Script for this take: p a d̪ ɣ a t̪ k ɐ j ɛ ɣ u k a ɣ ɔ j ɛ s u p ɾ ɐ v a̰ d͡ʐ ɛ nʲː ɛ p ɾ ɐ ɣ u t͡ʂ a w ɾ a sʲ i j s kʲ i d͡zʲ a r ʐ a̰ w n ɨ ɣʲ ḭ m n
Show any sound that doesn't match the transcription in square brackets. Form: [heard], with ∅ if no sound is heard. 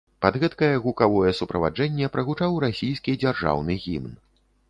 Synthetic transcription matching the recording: p a d̪ ɣ [ɛ] t̪ k ɐ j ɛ ɣ u k a [v] ɔ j ɛ s u p ɾ ɐ v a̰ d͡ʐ ɛ nʲː ɛ p ɾ ɐ ɣ u t͡ʂ a w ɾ a sʲ i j s kʲ i d͡zʲ a r ʐ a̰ w n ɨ ɣʲ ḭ m n